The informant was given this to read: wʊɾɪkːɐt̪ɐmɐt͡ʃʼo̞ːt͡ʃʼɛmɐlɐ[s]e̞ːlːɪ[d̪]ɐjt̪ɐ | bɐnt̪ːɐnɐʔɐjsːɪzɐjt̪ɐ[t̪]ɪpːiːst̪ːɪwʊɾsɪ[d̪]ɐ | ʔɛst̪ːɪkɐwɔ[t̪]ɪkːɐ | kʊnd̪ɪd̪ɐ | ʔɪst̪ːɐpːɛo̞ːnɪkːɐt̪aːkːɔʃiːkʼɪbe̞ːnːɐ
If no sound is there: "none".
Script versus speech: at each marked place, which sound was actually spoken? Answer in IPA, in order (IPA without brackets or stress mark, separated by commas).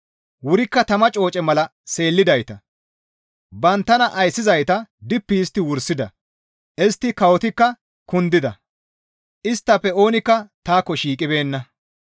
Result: s, d̪, d̪, d̪, t̪